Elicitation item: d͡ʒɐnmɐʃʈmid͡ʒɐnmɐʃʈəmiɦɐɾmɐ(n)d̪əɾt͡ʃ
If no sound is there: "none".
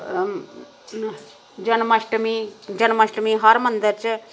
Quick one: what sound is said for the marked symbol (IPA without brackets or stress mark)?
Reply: n